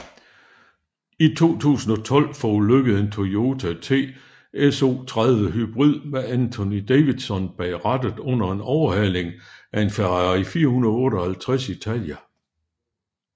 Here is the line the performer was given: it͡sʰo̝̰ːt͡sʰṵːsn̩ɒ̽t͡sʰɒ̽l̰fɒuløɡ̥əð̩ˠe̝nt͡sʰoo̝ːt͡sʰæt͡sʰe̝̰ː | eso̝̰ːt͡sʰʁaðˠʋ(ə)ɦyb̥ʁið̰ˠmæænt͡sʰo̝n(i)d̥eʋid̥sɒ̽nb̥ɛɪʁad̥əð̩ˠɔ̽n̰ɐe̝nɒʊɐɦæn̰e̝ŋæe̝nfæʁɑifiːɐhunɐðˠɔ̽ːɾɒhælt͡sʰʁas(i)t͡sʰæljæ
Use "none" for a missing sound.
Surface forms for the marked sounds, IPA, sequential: ə, i, i

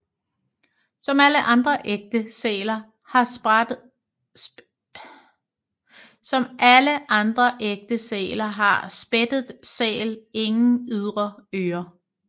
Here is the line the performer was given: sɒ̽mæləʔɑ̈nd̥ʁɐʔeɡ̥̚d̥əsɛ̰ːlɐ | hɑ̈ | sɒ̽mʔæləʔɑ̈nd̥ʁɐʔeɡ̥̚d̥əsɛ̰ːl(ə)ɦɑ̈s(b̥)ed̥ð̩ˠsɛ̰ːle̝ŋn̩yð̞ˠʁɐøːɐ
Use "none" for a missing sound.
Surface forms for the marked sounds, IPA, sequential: ɐ, b̥

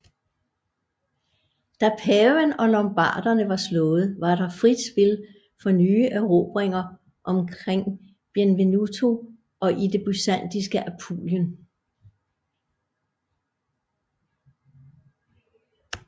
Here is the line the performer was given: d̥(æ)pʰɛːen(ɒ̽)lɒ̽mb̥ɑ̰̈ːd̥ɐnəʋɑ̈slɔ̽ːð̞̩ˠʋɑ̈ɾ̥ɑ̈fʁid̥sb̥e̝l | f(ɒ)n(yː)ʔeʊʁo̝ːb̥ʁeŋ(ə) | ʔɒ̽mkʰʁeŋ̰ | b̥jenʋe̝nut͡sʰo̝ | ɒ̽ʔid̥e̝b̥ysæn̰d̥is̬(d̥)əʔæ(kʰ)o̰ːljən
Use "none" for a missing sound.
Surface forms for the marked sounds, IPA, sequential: æ, ɒ̽, ɒ, yː, ɐ, ɡ̥, pʰ

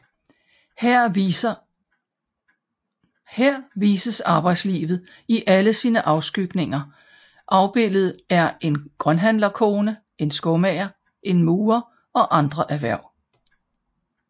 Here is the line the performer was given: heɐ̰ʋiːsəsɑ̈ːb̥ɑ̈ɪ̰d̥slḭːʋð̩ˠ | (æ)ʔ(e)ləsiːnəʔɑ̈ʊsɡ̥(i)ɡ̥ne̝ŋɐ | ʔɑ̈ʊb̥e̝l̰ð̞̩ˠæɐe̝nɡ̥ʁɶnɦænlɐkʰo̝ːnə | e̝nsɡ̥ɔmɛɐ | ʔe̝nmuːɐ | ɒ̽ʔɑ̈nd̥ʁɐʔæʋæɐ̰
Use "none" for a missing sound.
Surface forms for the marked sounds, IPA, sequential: i, æ, y

